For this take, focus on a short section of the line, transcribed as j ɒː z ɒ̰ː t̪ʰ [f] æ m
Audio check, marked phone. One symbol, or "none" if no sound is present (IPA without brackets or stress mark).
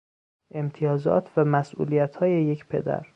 v